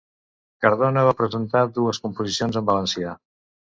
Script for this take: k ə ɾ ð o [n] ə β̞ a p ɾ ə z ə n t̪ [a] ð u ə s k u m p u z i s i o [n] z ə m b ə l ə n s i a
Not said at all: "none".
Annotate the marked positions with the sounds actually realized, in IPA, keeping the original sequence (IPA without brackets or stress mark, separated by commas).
n, a, n